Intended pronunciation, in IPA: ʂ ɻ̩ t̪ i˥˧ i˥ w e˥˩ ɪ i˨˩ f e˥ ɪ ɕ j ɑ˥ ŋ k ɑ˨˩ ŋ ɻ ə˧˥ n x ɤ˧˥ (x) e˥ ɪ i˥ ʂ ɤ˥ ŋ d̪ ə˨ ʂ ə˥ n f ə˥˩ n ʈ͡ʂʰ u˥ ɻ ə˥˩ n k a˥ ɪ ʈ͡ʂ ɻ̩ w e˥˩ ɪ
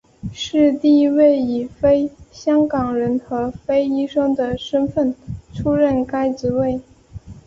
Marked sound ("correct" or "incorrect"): incorrect